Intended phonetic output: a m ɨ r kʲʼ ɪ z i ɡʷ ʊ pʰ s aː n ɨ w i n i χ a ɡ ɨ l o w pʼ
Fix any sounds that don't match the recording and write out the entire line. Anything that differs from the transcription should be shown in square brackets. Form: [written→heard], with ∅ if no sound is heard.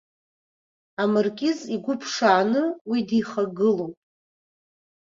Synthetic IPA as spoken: a m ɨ r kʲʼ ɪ z i ɡʷ ʊ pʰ [s→ʂ] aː n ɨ w i [n→d] i χ a ɡ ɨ l o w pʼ